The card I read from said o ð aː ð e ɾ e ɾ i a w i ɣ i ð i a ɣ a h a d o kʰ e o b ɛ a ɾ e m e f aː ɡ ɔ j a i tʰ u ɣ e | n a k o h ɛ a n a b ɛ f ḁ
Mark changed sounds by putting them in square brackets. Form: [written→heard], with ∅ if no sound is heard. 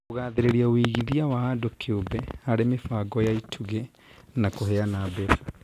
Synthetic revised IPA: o [ð→ɣ] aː ð e ɾ e ɾ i a w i ɣ i ð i a [ɣ→w] a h a d o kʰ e o b ɛ a ɾ e m e f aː ɡ ɔ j a i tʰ u ɣ e | n a k o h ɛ a n a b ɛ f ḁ